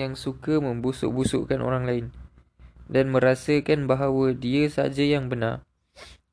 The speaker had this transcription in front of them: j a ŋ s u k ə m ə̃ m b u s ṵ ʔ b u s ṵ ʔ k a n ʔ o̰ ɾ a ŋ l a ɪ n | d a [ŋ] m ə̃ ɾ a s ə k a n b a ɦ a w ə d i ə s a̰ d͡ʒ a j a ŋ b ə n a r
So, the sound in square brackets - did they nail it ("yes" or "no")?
no